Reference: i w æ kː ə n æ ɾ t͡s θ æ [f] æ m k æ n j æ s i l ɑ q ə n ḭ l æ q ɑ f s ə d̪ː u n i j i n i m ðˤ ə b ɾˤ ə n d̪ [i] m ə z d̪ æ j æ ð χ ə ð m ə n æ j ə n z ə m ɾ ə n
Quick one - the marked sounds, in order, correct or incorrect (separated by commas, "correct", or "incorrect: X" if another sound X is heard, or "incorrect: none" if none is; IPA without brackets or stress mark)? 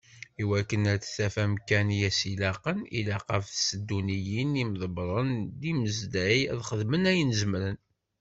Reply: correct, correct